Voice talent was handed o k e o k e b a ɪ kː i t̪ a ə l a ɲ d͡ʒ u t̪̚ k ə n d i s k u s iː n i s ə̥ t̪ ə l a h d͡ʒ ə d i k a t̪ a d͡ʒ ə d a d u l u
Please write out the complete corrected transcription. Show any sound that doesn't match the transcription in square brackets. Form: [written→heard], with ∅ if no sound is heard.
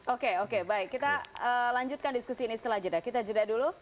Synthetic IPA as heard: o k e o k e b a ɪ kː i t̪ a ə l a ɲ d͡ʒ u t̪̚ k [ə→a] n d i s k u s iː n i s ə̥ t̪ ə l a h d͡ʒ ə d [i→a] k [a→i] t̪ a d͡ʒ ə d a d u l u